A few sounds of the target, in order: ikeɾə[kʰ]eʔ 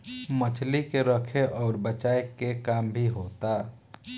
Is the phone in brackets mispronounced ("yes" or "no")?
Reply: no